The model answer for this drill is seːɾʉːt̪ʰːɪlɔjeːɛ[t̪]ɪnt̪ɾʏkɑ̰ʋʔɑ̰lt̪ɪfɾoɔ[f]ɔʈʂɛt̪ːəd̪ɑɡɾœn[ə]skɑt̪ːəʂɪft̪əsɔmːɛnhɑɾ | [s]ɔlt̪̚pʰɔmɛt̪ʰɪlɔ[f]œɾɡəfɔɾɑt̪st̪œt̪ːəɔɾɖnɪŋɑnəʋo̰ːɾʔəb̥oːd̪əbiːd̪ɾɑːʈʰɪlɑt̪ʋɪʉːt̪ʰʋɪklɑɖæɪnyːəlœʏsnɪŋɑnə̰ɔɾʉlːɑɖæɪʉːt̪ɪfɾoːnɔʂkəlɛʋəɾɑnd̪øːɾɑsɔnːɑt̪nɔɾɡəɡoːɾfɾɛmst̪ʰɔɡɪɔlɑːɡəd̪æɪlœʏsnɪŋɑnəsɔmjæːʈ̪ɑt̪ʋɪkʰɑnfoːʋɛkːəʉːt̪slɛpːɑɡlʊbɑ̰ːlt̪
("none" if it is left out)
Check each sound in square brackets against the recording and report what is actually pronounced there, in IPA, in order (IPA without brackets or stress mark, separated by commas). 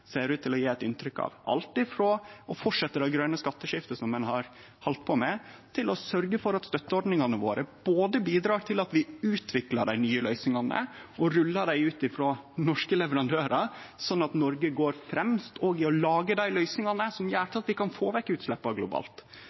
t̪, f, ə, h, s